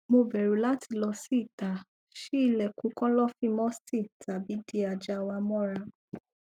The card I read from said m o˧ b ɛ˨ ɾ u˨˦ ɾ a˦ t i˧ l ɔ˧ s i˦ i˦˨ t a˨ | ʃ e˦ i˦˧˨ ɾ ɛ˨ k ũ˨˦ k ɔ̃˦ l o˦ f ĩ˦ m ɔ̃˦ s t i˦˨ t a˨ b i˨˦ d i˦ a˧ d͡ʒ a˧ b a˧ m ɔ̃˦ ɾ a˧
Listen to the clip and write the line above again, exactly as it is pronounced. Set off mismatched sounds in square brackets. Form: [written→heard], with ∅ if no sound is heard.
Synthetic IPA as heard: m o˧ b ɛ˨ ɾ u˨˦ [ɾ→l] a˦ t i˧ l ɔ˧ s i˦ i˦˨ t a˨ | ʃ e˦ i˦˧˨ [ɾ→l] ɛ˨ k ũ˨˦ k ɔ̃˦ l [o˦→ɔ˦] f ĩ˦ m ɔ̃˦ s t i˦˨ t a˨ b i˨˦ d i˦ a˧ d͡ʒ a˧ [b→w] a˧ m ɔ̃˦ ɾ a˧